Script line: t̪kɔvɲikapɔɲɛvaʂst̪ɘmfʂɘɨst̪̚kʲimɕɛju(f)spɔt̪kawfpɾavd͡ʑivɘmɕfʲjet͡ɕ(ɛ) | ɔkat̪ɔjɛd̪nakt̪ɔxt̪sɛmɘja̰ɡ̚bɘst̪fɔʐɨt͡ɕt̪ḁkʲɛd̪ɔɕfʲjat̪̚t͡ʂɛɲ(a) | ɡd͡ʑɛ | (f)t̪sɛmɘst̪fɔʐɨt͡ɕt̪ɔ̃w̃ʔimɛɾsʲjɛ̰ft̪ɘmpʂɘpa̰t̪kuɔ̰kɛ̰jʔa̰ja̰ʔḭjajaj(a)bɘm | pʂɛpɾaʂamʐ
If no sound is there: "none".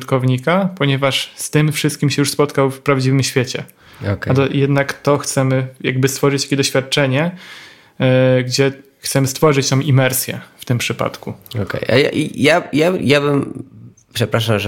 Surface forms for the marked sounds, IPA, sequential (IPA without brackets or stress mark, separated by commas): ʂ, ɛ, ɛ, x, a